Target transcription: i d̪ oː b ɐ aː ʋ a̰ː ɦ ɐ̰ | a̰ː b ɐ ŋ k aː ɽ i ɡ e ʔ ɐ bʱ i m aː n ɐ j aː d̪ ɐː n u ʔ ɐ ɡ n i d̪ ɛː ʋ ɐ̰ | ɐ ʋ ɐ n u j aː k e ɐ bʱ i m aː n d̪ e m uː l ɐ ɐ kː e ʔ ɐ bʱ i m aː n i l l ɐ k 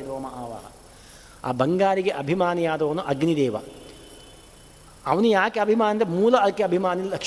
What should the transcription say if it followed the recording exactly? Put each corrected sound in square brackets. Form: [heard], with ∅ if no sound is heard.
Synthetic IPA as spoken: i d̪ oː [m] ɐ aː ʋ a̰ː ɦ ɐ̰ | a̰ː b ɐ ŋ [ɡ] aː [ɾ] i ɡ e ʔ ɐ bʱ i m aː n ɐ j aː d̪ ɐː n u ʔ ɐ ɡ n i d̪ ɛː ʋ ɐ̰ | ɐ ʋ ɐ n u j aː k e ɐ bʱ i m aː n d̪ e m uː l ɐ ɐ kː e [∅] ɐ bʱ i m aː n i l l ɐ k